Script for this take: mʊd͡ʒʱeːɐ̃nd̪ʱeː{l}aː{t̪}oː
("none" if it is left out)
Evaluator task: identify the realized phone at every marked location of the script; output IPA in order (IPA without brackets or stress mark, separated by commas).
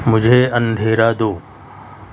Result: ɾ, d̪